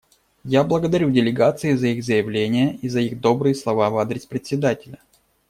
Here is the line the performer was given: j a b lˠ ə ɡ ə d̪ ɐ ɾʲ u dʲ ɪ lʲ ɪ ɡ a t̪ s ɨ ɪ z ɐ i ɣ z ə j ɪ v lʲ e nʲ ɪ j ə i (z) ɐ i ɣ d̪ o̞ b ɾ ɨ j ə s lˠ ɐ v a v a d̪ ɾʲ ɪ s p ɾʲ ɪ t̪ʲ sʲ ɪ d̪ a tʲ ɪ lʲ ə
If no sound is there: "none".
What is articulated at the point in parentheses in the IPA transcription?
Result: z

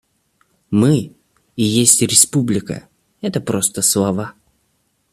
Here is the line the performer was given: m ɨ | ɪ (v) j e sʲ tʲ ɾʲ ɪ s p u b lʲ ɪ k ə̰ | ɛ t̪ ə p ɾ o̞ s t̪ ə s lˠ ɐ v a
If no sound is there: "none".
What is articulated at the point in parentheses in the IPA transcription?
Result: none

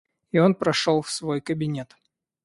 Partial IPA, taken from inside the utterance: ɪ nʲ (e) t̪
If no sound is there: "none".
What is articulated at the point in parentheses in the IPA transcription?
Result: e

